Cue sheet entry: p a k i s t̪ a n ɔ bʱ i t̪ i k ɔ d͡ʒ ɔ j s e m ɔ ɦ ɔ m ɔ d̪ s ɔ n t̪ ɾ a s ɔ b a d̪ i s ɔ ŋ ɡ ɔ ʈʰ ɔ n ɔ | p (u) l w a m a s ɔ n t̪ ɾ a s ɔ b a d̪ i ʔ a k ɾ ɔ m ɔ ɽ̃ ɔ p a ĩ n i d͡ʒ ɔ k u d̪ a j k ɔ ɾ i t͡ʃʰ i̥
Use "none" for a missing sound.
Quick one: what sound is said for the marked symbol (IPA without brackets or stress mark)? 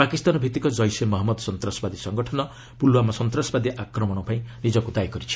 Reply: u